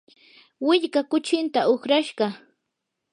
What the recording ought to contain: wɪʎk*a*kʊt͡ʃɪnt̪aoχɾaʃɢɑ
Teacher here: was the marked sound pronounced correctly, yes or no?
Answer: yes